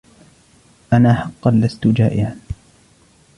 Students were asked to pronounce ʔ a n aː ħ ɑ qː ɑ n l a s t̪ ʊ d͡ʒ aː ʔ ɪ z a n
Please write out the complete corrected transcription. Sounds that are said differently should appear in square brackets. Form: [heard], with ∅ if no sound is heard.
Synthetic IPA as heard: ʔ a n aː ħ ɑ qː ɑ n l a s t̪ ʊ d͡ʒ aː ʔ ɪ [ʕ] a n